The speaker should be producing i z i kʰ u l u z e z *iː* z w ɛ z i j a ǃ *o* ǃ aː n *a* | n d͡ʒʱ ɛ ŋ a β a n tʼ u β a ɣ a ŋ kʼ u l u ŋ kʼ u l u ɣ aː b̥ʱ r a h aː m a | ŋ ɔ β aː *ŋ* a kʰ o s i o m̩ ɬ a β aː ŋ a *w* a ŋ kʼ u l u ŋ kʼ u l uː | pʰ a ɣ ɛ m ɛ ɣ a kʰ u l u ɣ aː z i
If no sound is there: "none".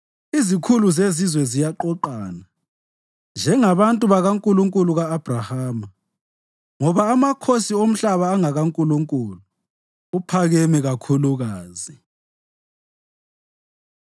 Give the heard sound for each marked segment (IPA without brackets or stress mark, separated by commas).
i, ɔ, a, m, ɣ